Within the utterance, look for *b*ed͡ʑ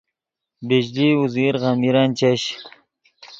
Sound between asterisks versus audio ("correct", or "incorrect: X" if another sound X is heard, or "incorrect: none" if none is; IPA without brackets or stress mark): correct